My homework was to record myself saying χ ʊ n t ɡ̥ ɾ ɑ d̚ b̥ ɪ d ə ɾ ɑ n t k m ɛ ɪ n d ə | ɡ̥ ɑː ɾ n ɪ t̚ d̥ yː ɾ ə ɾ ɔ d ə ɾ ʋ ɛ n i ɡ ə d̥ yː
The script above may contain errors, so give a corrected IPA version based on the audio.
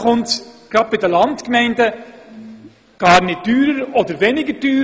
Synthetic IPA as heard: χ ʊ n t ɡ̥ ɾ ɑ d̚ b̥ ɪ d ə l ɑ n t k m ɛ ɪ n d ə | ɡ̥ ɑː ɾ n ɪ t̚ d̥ yː ɾ ə ɾ ɔ d ə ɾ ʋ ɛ n ɪ ɡ ə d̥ yː